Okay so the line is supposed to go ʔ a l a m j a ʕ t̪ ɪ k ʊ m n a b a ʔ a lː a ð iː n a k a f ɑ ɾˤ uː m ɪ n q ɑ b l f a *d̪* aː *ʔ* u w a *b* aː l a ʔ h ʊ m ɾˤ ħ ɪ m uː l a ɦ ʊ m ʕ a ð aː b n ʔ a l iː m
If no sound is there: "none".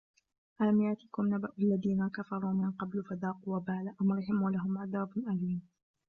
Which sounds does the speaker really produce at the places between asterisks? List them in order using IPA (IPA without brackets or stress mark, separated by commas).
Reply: d̪, q, b